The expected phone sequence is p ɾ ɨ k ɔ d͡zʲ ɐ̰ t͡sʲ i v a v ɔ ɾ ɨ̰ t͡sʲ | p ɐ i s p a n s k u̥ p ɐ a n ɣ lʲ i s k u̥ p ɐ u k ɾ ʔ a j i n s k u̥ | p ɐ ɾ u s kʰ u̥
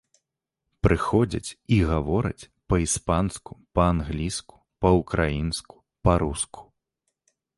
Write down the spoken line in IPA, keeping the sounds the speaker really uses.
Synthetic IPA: p ɾ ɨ x ɔ d͡zʲ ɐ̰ t͡sʲ i ɣ a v ɔ ɾ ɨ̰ t͡sʲ | p ɐ i s p a n s k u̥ p ɐ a n ɣ lʲ i s k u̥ p ɐ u k ɾ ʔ a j i n s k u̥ | p ɐ ɾ u s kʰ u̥

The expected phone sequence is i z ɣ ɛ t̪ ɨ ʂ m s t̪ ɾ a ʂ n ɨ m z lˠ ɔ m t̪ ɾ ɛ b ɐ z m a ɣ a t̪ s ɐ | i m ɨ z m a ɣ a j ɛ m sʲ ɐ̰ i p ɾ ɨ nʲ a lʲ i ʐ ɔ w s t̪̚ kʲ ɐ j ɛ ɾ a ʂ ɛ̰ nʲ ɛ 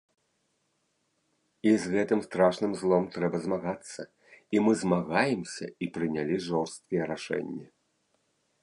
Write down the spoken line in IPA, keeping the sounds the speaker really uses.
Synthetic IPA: i z ɣ ɛ t̪ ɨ m s t̪ ɾ a ʂ n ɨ m z lˠ ɔ m t̪ ɾ ɛ b ɐ z m a ɣ a t̪ sː ɐ | i m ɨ z m a ɣ a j ɛ m sʲ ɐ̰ i p ɾ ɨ nʲ a lʲ i ʐ ɔ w s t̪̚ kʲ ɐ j ɛ ɾ a ʂ ɛ̰ nʲː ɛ

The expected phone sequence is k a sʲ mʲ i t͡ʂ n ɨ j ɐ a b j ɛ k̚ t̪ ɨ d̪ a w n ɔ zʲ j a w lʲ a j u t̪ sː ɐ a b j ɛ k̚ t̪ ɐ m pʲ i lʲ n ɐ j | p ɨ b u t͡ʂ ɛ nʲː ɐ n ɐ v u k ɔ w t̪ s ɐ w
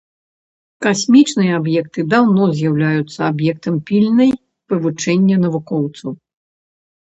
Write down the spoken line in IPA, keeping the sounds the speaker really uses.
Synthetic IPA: k a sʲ mʲ i t͡ʂ n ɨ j ɐ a b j ɛ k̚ t̪ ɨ d̪ a w n ɔ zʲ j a w lʲ a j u t̪ sː ɐ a b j ɛ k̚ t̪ ɐ m pʲ i lʲ n ɐ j | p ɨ v u t͡ʂ ɛ nʲː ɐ n ɐ v u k ɔ w t̪ s ɐ w

